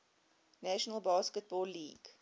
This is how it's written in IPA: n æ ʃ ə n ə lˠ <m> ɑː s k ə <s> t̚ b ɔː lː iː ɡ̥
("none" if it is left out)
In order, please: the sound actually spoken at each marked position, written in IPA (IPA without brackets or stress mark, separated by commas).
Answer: b, none